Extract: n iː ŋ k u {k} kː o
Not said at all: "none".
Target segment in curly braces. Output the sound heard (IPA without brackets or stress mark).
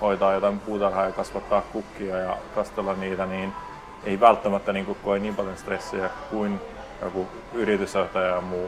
k